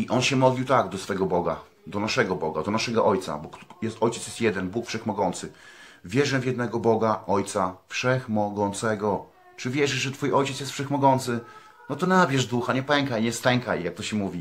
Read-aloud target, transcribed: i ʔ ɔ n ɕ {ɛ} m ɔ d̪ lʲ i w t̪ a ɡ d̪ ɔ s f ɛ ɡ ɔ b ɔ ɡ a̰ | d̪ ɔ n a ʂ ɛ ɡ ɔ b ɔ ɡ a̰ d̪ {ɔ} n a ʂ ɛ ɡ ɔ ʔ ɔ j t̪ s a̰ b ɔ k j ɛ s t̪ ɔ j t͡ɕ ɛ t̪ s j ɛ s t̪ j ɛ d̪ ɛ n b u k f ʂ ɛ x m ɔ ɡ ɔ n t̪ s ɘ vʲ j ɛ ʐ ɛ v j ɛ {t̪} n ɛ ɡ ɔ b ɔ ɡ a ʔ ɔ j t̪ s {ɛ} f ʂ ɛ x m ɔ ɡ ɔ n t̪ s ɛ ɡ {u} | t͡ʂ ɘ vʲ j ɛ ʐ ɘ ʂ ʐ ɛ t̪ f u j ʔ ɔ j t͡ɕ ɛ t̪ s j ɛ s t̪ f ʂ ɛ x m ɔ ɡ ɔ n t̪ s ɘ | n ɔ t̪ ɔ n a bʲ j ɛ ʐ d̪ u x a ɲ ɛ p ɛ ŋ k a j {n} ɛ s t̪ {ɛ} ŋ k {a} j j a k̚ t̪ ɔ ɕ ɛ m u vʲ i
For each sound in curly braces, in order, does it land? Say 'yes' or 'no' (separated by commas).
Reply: yes, yes, no, no, no, no, yes, yes